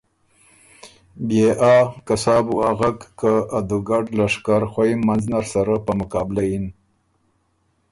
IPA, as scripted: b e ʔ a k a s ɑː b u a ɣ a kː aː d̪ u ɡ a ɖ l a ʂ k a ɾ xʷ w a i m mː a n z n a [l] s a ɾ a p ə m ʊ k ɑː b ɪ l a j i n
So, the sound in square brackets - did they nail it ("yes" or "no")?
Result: no